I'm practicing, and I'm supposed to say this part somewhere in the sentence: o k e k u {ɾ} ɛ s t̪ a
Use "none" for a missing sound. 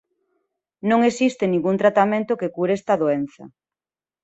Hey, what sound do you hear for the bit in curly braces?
ɾ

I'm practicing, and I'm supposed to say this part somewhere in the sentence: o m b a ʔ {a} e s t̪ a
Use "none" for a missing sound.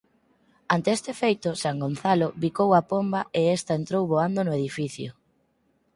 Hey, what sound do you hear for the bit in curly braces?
e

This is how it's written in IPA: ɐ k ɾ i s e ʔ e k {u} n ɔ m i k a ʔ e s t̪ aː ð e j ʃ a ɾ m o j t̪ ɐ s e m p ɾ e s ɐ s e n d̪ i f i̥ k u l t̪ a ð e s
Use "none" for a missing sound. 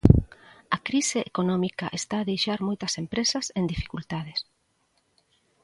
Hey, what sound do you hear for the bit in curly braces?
o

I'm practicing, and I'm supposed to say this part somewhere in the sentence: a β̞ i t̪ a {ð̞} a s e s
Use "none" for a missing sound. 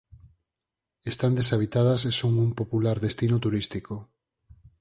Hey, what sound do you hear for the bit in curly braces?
ð̞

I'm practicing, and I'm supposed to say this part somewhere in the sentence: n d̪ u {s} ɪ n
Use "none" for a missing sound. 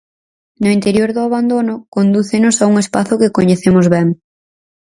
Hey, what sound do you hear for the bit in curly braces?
θ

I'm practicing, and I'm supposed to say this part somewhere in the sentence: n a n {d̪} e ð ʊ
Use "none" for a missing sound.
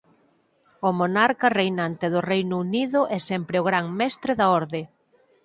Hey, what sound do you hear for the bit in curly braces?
t̪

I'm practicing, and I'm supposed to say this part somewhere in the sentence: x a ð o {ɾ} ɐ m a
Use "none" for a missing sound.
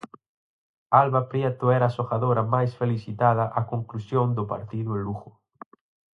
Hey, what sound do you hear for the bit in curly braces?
ɾ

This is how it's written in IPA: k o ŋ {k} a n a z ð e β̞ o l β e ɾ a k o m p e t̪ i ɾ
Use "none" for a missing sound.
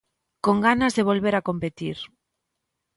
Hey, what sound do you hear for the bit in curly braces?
ɡ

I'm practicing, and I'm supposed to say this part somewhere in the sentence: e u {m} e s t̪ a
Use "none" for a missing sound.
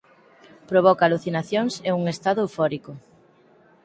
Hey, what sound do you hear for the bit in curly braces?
ŋ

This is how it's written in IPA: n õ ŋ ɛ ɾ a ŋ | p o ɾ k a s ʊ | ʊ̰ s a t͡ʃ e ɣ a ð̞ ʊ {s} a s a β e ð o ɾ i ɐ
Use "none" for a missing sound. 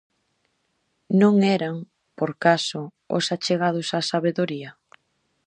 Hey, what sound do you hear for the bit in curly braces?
s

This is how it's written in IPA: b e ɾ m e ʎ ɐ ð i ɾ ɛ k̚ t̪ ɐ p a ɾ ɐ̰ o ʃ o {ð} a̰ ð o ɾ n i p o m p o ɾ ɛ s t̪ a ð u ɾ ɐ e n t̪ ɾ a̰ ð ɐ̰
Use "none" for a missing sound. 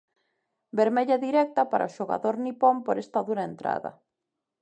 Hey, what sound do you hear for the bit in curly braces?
ɣ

